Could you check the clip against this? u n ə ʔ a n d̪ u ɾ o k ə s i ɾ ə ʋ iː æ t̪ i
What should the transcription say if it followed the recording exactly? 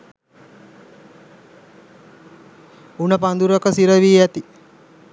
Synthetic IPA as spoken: u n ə p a n d̪ u ɾ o k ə s i ɾ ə ʋ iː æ t̪ i